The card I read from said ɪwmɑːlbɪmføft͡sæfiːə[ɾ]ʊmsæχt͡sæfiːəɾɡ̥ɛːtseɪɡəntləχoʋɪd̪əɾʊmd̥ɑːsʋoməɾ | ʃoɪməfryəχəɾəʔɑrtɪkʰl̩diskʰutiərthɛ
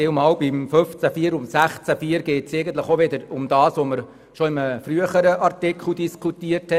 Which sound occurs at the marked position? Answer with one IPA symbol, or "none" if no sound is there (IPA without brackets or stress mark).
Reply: ɾ